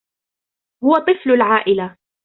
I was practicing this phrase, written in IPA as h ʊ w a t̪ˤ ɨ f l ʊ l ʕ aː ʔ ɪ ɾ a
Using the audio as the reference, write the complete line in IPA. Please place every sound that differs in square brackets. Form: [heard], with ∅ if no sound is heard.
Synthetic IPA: h ʊ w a t̪ˤ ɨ f l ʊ l ʕ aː ʔ ɪ [l] a